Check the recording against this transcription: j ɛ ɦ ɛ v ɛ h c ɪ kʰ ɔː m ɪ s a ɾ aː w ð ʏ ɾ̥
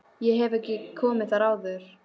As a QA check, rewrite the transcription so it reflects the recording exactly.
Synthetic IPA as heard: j ɛ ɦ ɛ v ɛ h c ɪ kʰ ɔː m ɪ θ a ɾ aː w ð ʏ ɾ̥